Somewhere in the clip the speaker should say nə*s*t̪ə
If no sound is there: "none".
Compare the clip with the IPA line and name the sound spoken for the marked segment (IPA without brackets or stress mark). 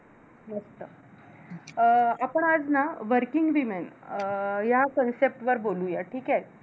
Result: s